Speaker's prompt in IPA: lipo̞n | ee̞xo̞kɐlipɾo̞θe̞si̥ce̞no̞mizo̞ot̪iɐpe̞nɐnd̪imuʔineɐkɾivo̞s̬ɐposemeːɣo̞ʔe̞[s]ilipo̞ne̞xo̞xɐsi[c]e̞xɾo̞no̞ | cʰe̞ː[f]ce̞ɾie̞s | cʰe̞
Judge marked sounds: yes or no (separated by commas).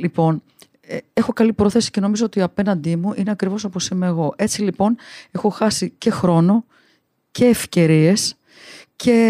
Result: no, yes, yes